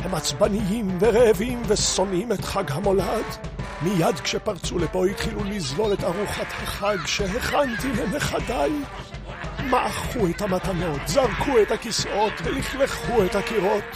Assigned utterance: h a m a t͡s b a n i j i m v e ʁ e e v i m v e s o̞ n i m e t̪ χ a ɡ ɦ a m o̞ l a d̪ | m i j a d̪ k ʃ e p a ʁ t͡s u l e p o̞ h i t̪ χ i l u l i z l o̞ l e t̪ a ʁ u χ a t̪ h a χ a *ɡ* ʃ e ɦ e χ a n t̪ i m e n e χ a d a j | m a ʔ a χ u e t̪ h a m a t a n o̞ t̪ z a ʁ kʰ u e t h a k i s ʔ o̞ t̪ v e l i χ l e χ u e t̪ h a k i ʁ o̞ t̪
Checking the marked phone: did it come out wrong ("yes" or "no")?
no